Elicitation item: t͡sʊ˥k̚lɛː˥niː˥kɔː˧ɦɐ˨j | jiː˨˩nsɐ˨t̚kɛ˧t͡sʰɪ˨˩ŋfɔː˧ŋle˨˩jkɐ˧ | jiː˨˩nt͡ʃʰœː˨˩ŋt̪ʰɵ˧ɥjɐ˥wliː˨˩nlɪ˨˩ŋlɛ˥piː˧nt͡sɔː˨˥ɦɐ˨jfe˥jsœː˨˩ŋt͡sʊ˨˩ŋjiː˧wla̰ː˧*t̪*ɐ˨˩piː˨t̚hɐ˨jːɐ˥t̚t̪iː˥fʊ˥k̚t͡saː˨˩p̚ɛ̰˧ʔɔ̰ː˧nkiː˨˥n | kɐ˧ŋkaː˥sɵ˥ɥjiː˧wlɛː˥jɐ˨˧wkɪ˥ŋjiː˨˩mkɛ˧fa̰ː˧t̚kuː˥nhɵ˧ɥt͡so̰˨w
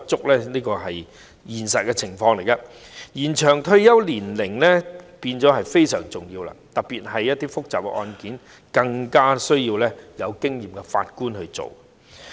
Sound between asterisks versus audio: correct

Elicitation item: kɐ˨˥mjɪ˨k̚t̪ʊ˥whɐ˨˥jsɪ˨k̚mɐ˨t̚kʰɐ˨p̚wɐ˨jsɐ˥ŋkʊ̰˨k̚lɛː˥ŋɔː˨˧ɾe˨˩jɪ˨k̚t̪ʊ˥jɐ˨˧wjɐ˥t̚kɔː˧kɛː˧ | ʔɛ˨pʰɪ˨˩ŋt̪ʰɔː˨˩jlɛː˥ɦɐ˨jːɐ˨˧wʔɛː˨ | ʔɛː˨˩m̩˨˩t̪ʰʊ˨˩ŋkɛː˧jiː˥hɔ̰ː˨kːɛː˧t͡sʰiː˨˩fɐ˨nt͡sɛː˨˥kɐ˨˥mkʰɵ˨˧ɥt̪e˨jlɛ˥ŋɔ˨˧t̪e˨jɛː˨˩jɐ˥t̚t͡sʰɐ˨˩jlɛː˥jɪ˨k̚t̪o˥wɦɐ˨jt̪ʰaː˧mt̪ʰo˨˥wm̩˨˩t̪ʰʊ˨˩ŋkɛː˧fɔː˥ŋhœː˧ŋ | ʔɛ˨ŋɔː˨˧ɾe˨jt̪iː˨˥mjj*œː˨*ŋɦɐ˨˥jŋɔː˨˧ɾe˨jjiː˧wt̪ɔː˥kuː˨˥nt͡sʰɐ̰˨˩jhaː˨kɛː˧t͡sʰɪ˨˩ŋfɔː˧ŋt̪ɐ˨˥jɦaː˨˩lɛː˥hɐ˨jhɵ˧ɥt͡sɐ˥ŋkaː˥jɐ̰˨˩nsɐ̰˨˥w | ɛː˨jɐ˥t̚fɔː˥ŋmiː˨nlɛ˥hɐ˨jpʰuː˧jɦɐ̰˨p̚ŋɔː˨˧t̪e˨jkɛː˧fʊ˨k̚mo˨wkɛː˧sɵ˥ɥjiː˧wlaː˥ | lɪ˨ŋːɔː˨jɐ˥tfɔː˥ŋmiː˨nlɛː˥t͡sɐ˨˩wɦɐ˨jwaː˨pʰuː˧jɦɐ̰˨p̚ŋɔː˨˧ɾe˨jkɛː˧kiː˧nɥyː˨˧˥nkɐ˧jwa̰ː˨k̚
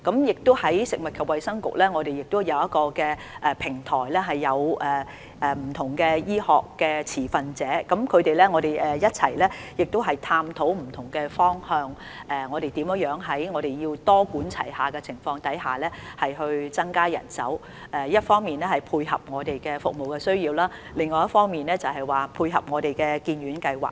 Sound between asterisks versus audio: incorrect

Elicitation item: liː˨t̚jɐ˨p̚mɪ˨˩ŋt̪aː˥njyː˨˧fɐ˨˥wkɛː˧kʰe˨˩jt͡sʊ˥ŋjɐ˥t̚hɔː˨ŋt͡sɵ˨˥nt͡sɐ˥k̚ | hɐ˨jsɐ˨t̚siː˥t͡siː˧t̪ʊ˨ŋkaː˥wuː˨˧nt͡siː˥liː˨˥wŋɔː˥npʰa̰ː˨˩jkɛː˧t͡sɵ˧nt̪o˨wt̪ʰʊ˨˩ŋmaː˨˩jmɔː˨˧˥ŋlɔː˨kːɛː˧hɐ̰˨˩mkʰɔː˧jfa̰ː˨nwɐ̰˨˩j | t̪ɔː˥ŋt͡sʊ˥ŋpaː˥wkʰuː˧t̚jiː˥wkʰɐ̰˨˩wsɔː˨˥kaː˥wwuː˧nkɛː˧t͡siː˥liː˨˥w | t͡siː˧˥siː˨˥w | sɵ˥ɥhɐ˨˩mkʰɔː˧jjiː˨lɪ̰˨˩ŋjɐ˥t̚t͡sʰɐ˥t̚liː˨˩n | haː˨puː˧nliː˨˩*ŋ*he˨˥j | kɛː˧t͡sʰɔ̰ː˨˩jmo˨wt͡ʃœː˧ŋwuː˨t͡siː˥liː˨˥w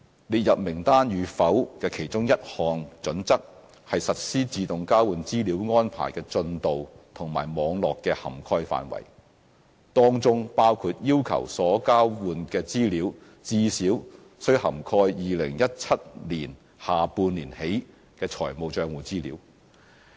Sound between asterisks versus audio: incorrect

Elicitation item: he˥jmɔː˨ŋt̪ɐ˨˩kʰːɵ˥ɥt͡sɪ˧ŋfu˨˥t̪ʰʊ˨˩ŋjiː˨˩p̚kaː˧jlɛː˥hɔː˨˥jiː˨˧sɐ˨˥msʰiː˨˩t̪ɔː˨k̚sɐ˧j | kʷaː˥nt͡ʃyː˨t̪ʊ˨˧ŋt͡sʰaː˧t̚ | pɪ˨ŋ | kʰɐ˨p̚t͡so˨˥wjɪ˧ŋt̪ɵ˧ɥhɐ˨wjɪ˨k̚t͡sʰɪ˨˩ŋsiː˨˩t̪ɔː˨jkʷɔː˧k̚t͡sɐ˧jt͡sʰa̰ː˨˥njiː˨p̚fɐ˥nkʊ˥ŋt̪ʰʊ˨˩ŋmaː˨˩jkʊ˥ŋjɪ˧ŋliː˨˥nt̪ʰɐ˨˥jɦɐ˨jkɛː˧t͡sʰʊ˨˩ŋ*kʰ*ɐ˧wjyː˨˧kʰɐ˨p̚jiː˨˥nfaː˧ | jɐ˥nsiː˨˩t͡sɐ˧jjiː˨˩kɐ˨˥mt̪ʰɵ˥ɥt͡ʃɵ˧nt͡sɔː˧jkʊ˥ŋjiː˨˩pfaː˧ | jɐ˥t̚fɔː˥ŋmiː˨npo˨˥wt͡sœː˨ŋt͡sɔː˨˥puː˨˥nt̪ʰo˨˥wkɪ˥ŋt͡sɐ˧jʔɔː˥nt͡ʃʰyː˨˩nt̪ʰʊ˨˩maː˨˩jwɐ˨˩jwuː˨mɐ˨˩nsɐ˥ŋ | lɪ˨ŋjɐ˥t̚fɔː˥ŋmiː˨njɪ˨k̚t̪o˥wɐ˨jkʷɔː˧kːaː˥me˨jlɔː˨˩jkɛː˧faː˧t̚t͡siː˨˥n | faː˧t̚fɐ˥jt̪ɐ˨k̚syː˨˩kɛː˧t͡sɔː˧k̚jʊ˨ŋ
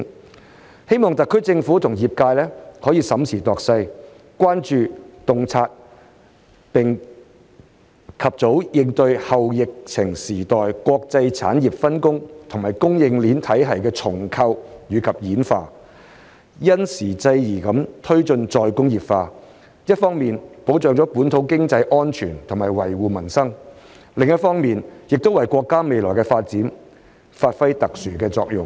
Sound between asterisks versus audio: correct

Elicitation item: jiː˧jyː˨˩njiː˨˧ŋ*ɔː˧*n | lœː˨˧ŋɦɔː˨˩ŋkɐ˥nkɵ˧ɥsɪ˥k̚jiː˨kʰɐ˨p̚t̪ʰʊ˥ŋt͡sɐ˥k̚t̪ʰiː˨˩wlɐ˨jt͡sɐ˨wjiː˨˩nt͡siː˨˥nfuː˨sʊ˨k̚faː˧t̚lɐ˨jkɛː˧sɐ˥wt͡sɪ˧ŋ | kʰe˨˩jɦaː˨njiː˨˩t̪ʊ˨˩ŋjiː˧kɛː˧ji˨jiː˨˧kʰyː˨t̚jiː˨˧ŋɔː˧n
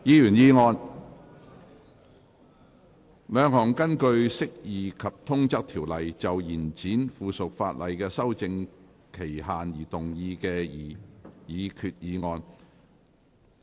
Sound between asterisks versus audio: correct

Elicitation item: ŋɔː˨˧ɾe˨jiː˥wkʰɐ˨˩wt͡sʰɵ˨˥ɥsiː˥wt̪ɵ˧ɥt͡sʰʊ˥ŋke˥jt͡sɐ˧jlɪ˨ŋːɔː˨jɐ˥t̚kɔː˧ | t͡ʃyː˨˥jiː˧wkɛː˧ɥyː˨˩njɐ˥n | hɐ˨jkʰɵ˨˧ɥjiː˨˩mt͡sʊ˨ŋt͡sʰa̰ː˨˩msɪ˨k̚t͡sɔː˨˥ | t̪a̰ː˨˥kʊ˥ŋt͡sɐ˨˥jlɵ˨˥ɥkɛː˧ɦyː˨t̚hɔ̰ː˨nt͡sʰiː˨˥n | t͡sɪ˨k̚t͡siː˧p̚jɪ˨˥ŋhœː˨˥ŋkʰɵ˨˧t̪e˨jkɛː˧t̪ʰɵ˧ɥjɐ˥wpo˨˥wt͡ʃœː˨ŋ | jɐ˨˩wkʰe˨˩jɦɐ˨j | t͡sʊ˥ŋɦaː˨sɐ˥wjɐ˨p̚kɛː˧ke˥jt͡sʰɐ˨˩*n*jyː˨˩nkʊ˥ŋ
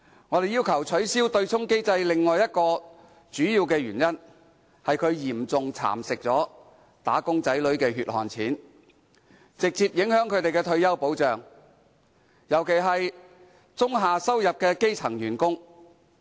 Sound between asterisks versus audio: incorrect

